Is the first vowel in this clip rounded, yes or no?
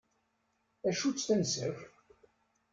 no